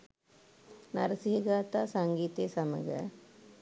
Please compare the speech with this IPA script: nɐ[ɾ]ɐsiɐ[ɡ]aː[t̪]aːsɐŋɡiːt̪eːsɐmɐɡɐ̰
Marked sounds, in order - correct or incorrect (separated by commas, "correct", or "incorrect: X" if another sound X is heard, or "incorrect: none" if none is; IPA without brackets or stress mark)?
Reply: correct, correct, correct